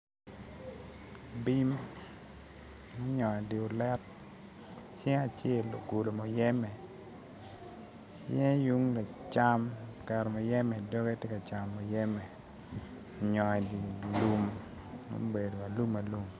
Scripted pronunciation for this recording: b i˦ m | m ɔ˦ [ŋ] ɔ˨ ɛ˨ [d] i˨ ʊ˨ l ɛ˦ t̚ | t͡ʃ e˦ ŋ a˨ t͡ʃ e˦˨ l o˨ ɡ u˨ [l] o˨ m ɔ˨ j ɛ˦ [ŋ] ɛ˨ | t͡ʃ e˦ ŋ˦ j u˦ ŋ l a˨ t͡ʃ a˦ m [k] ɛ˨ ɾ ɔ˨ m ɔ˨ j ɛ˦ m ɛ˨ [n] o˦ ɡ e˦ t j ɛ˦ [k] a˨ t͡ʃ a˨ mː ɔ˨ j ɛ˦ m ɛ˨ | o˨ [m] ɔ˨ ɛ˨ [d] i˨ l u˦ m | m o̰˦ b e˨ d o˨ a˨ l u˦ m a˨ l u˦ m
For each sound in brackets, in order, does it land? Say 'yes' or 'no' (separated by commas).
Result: no, yes, yes, no, yes, no, yes, no, yes